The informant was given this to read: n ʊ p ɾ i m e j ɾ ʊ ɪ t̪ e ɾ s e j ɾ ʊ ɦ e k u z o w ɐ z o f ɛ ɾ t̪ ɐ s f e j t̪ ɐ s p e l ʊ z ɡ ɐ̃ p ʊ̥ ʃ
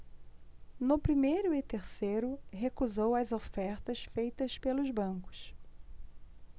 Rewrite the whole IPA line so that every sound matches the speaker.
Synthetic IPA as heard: n ʊ p ɾ i m e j ɾ ʊ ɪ t̪ e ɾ s e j ɾ ʊ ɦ e k u z o w ɐ z o f ɛ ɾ t̪ ɐ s f e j t̪ ɐ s p e l ʊ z b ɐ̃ k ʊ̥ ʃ